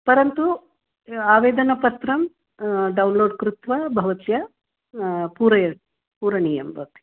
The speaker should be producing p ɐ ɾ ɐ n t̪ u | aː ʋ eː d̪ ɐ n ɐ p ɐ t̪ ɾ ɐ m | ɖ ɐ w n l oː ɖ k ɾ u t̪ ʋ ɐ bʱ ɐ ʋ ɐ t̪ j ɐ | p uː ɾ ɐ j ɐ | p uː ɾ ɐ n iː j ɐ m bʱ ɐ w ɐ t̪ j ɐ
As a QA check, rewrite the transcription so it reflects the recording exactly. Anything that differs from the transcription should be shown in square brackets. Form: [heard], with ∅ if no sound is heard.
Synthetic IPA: p ɐ ɾ ɐ n t̪ u | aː ʋ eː d̪ ɐ n ɐ p ɐ t̪ ɾ ɐ m | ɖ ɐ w n l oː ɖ k ɾ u t̪ ʋ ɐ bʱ ɐ ʋ ɐ t̪ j ɐ | p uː ɾ ɐ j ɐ | p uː ɾ ɐ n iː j ɐ m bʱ ɐ [ʋ] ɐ t̪ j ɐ